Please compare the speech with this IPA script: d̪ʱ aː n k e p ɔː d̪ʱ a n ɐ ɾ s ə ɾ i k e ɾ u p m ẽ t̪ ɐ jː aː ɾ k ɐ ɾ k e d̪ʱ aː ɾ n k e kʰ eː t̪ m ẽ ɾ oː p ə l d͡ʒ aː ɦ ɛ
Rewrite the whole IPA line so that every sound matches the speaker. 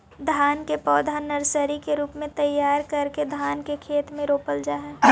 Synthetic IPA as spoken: d̪ʱ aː n k e p ɔː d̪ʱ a n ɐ ɾ s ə ɾ i k e ɾ uː p m ẽ t̪ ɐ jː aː ɾ k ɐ ɾ k e d̪ʱ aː n k e kʰ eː t̪ m ẽ ɾ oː p ə l d͡ʒ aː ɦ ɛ